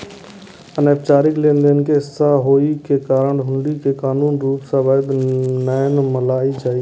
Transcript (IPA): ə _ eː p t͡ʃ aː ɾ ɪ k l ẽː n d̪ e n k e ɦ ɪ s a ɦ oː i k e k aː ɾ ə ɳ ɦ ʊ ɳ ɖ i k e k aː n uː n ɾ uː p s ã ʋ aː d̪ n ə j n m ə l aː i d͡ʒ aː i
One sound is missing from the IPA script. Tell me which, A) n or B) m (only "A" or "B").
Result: A